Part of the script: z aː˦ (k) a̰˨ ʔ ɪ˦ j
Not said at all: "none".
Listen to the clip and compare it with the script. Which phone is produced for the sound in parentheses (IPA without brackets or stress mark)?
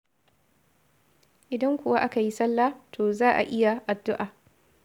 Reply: ʔ